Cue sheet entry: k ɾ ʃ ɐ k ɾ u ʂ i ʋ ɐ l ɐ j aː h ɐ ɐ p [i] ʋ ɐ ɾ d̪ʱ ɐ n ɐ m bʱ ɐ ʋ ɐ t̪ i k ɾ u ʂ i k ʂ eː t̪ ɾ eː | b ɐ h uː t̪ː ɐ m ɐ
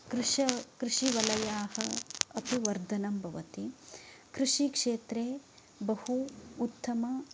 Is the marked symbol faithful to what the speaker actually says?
yes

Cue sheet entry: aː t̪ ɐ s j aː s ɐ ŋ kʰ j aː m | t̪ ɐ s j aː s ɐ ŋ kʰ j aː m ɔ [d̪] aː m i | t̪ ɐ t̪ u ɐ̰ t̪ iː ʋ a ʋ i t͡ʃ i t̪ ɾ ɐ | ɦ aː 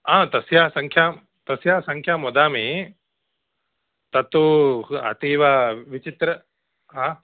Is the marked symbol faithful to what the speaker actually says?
yes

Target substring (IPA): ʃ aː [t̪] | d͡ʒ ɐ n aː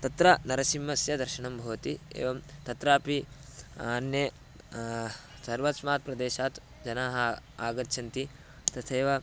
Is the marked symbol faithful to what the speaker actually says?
yes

